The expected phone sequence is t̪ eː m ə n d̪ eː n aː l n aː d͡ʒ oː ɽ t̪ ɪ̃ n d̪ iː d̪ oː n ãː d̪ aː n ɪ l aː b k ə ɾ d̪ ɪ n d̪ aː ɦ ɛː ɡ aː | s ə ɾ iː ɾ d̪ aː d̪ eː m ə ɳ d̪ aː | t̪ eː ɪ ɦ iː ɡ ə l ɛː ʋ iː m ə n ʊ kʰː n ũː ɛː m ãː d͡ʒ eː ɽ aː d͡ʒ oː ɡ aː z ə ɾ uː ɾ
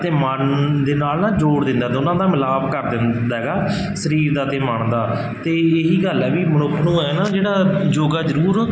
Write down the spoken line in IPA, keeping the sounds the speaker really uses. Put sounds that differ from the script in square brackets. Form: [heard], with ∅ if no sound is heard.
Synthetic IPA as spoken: t̪ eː m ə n d̪ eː n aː l n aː d͡ʒ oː ɽ [d̪] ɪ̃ n d̪ [aː] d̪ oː n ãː d̪ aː [m] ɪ l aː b k ə ɾ d̪ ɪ n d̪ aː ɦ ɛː ɡ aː | s ə ɾ iː ɾ d̪ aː [t̪] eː m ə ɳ d̪ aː | t̪ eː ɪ ɦ iː ɡ ə l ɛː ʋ iː m ə n ʊ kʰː n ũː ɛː [n] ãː d͡ʒ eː ɽ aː d͡ʒ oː ɡ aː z ə ɾ uː ɾ